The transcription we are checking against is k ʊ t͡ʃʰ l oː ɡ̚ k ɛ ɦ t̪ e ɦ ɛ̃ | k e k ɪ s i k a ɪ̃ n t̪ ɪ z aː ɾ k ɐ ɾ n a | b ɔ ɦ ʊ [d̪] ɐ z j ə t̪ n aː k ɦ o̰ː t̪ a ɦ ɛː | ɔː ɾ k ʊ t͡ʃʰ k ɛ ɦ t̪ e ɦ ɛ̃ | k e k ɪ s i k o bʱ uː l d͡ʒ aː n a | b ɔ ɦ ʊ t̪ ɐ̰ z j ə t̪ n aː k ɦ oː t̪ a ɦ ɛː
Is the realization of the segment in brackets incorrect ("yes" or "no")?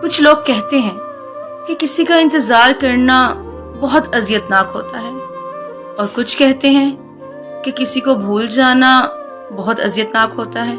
yes